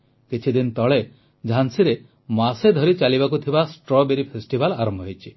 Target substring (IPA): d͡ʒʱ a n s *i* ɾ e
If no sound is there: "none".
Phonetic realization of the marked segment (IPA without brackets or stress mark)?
i